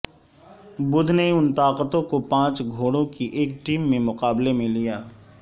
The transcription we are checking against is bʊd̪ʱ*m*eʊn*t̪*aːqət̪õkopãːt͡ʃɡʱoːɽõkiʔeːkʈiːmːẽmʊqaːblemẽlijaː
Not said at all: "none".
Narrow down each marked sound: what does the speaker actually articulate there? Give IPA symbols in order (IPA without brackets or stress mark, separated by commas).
n, t̪